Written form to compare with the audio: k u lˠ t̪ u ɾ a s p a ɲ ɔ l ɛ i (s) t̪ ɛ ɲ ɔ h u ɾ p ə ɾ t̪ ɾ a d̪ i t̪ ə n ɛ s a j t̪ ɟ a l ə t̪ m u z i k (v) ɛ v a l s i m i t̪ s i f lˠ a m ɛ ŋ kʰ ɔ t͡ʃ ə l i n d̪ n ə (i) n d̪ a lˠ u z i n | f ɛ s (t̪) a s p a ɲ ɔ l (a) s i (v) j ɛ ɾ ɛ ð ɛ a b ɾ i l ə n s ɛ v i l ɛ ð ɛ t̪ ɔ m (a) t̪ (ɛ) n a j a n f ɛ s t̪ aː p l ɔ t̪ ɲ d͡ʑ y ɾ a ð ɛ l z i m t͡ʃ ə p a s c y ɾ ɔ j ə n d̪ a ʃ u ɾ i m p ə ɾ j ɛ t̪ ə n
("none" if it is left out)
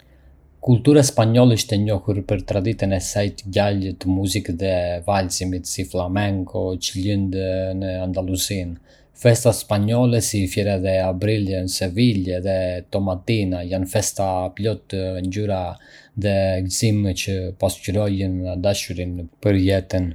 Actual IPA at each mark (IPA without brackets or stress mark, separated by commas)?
ʃ, ð, a, t̪, ɛ, f, a, i